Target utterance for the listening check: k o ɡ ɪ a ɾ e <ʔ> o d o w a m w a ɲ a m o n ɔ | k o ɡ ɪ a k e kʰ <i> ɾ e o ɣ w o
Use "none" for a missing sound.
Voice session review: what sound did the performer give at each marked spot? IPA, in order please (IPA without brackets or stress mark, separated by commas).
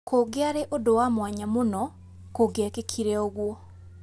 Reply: ʔ, i